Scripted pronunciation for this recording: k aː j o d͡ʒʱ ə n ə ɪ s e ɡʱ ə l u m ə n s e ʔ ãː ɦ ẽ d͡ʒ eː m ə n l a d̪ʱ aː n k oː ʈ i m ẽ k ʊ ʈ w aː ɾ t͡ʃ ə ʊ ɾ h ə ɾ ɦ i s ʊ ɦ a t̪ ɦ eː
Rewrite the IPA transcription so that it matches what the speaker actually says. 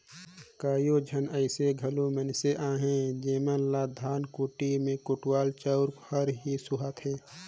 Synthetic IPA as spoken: k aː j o d͡ʒʱ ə n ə ɪ s e ɡʱ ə l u m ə n s e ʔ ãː ɦ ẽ d͡ʒ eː m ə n l a d̪ʱ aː n k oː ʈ i m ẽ k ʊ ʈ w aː l t͡ʃ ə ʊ ɾ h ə ɾ ɦ i s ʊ ɦ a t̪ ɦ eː